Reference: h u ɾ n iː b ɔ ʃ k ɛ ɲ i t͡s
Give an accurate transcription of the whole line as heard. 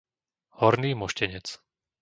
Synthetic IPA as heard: h ɔ ɾ n iː m ɔ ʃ c ɛ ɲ ɛ t͡s